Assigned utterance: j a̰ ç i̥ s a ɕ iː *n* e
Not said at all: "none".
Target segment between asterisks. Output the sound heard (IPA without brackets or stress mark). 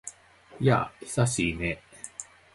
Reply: n